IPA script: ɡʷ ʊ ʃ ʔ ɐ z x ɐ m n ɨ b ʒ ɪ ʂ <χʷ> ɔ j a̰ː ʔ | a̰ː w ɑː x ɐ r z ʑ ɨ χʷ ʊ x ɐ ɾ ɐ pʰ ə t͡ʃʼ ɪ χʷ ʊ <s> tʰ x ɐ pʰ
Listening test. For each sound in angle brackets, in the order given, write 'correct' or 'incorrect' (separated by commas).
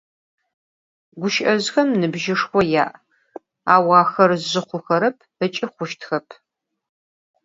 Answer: incorrect, incorrect